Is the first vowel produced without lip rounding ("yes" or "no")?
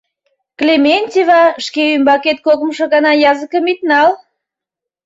yes